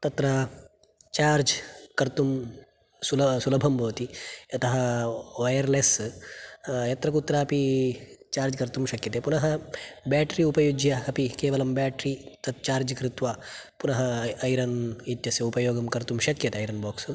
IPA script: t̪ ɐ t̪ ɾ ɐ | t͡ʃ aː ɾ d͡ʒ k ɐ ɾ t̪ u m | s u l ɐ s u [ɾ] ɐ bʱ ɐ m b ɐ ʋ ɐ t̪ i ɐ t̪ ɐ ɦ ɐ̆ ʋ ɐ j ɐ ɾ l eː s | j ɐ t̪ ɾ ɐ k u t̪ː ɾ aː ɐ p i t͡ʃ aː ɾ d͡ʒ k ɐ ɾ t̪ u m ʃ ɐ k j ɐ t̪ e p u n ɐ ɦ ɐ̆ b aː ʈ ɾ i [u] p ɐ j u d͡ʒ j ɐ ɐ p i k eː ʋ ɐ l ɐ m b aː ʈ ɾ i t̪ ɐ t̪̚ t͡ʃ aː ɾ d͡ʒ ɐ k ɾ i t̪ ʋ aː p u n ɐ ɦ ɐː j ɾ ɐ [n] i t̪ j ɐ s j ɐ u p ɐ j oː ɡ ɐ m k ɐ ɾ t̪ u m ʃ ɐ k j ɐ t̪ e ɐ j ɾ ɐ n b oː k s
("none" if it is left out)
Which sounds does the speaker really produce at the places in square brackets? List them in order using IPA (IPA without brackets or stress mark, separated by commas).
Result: l, u, n